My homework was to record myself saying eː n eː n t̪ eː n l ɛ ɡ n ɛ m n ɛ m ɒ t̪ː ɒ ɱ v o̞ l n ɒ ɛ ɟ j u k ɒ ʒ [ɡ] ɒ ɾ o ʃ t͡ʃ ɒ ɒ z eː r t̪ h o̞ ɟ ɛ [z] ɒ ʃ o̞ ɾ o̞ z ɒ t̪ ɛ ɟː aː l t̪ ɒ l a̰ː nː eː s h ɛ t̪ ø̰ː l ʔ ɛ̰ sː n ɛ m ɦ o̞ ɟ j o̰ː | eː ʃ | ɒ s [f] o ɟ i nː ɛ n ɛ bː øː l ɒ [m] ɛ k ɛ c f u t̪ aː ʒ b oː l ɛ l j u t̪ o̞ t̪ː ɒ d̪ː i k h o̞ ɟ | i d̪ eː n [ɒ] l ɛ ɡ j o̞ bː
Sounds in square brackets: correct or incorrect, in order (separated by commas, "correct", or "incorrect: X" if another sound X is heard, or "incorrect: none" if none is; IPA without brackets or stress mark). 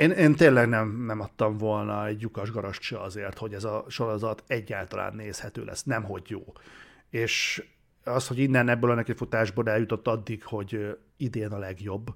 correct, correct, incorrect: h, incorrect: n, correct